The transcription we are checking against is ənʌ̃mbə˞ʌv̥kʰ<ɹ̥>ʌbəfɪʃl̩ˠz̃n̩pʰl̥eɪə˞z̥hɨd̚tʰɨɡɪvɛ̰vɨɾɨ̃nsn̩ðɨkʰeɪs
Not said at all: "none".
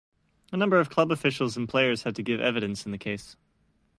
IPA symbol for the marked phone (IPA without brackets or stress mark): l̥